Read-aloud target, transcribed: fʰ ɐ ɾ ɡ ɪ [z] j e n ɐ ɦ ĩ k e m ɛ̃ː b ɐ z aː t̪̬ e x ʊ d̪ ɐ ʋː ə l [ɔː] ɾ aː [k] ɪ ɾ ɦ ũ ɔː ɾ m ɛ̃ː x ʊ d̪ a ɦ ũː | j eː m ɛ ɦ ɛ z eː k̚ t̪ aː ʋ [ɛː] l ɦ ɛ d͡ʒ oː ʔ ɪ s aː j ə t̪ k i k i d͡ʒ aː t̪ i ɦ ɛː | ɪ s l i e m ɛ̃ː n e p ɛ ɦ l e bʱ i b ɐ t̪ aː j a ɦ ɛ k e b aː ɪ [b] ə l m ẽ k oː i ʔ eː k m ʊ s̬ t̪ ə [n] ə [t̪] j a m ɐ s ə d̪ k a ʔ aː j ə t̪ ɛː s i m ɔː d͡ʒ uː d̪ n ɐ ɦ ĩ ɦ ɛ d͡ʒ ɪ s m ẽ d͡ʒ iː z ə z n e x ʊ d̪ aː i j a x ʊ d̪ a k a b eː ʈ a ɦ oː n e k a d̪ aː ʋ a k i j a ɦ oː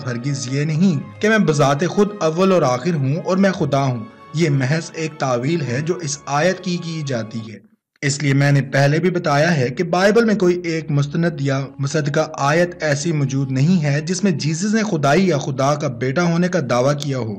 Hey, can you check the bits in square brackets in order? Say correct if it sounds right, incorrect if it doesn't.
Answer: correct, correct, incorrect: x, incorrect: iː, correct, correct, incorrect: d̪

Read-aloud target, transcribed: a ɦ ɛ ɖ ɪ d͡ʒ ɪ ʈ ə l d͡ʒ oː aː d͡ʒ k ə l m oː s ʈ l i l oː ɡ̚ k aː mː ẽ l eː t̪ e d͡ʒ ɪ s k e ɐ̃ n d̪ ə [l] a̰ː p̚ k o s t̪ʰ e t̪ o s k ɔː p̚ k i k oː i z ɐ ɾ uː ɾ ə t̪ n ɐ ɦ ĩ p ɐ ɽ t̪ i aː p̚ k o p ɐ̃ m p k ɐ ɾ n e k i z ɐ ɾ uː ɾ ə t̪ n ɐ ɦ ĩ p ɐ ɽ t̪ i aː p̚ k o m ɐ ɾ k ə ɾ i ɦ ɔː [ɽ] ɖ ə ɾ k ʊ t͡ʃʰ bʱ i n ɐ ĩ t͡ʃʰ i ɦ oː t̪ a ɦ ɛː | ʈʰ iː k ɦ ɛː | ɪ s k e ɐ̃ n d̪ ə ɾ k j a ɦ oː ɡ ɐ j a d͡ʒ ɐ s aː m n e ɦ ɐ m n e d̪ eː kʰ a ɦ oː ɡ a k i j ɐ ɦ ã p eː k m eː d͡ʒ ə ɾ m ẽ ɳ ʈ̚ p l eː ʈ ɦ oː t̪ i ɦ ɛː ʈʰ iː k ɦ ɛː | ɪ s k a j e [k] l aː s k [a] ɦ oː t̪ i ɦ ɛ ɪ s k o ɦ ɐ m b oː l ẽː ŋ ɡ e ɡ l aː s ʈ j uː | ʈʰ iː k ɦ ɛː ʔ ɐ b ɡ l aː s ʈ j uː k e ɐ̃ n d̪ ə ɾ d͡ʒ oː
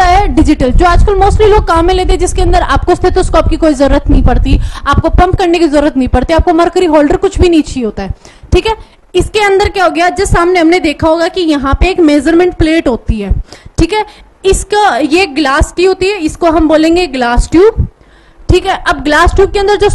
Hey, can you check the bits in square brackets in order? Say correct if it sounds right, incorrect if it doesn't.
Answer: incorrect: ɾ, incorrect: l, incorrect: ɡ, incorrect: i

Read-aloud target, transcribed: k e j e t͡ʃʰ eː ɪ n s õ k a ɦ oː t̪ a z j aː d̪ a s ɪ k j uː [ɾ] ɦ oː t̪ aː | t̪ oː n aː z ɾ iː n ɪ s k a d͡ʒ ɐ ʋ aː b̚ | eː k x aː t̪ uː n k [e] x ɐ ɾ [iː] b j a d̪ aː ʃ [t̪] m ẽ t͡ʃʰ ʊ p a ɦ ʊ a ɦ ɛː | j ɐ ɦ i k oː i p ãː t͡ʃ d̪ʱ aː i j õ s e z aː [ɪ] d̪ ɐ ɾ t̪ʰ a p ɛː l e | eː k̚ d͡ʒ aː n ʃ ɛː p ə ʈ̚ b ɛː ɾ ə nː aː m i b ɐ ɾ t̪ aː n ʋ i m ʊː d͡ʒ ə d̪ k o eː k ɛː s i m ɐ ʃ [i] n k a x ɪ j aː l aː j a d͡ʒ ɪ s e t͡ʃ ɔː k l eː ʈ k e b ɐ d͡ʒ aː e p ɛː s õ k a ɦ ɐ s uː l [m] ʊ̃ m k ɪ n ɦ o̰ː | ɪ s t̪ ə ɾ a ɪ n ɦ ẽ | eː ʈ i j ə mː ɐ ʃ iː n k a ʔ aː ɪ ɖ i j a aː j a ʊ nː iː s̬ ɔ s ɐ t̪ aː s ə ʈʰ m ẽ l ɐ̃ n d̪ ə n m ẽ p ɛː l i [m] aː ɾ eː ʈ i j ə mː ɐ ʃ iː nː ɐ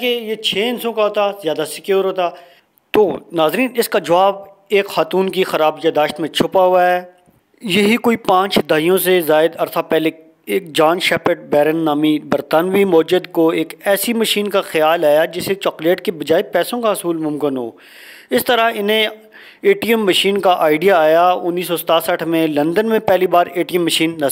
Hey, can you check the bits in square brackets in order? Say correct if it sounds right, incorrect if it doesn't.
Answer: correct, incorrect: i, incorrect: aː, correct, correct, incorrect: iː, correct, incorrect: b

